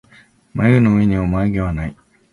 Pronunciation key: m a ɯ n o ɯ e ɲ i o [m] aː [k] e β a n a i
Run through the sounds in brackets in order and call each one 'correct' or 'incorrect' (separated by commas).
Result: correct, incorrect